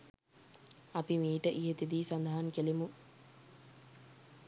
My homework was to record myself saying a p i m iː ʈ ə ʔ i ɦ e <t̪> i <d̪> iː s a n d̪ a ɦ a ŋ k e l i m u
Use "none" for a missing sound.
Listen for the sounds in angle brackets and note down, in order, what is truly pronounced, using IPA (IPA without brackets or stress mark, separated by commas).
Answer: t̪, d̪